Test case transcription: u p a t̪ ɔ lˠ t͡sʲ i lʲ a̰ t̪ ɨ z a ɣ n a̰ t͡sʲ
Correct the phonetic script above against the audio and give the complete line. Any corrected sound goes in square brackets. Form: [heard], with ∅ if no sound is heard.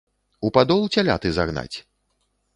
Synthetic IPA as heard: u p a [d̪] ɔ lˠ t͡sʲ [a] lʲ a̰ t̪ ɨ z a ɣ n a̰ t͡sʲ